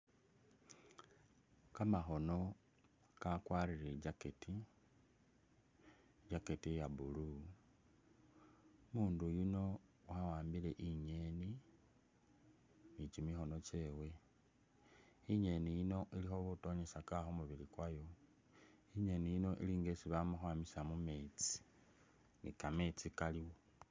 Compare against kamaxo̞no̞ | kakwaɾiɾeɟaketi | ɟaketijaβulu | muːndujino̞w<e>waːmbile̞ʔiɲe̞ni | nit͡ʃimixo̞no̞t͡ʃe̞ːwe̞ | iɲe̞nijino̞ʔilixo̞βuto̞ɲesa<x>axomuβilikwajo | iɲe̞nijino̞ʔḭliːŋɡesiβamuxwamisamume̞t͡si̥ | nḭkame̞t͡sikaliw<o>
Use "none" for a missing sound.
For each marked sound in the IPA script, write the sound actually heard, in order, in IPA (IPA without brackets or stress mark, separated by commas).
a, k, o